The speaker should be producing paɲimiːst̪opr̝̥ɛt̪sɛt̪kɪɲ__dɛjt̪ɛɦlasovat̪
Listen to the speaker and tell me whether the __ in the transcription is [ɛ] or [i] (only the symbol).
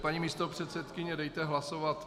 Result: ɛ